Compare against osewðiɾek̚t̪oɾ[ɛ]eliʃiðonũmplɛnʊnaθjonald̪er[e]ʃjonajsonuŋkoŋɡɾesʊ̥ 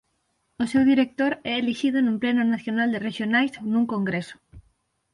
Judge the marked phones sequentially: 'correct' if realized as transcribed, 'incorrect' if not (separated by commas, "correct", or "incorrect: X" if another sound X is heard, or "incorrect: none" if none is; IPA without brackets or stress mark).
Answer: correct, correct